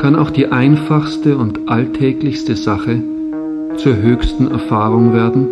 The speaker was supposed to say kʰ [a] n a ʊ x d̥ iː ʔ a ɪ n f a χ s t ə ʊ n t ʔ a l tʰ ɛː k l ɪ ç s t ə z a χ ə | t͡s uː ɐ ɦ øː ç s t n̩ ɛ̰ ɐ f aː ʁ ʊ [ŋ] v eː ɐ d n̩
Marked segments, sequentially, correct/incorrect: correct, correct

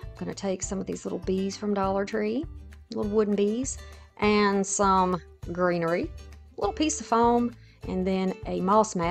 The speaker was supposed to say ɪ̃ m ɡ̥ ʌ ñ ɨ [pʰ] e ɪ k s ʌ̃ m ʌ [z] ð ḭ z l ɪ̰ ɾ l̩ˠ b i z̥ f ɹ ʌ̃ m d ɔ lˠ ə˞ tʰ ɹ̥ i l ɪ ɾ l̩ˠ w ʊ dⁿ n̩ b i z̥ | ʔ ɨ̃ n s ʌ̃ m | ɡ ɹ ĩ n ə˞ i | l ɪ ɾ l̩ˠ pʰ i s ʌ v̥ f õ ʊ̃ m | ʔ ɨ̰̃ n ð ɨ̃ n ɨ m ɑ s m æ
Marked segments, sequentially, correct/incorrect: incorrect, incorrect

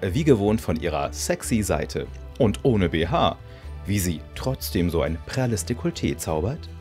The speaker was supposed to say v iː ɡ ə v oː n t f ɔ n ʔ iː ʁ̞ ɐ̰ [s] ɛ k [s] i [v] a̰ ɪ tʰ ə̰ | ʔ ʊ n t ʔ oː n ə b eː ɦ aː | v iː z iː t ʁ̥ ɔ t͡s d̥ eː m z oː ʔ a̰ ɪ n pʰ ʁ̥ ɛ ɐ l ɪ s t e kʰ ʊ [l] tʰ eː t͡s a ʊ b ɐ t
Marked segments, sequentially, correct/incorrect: correct, correct, incorrect, correct

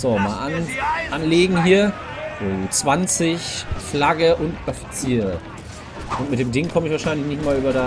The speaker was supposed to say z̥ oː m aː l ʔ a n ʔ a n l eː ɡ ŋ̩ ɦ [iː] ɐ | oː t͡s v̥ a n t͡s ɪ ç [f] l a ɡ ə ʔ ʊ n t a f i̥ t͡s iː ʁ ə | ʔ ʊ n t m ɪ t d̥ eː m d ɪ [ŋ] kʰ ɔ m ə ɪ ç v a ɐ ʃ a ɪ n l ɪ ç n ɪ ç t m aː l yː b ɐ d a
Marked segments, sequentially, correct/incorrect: correct, correct, correct

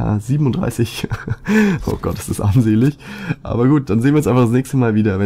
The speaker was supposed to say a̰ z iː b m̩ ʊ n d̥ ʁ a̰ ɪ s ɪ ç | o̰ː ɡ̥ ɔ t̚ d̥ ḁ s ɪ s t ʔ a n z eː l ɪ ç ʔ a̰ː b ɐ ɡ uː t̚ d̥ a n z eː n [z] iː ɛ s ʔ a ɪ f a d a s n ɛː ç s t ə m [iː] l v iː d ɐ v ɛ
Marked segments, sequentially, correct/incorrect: incorrect, incorrect

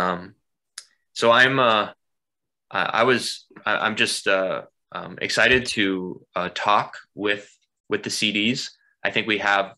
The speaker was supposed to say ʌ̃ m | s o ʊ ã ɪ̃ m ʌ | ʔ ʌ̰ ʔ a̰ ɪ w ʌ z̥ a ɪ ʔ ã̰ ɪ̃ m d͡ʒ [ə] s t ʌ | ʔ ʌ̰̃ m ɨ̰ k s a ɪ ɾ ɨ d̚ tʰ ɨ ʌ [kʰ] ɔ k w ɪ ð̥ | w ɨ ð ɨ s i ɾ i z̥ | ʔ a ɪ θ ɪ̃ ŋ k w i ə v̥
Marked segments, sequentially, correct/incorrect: incorrect, incorrect

